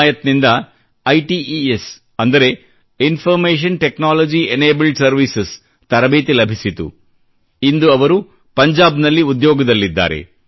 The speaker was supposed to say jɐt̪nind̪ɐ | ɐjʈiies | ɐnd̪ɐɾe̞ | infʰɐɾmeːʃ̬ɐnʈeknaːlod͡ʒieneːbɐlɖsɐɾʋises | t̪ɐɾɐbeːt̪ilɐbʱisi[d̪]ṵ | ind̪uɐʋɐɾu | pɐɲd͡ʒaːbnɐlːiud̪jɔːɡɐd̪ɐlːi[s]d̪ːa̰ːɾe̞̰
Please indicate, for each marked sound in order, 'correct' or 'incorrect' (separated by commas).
incorrect, incorrect